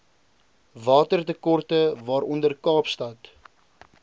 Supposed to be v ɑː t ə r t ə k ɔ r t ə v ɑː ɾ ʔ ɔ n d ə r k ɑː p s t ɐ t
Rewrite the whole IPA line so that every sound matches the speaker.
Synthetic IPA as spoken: v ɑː t ə r t ə k ɔ r t ə v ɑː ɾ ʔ ɔ n d ə r k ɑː p s t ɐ t